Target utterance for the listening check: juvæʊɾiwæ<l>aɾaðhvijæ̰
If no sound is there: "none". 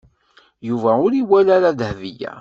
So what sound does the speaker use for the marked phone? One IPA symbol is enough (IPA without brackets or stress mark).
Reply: l